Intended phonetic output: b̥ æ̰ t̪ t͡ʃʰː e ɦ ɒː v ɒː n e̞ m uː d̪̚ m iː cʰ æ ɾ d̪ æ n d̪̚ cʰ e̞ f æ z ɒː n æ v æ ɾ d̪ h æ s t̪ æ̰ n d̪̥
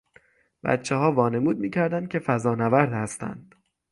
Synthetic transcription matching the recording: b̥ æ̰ t̪ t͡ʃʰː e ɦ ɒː v ɒː n e̞ m uː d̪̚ m iː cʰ æ ɾ d̪ æ n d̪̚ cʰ e̞ f æ z ɒː n æ v æ ɾ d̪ h æ s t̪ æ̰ n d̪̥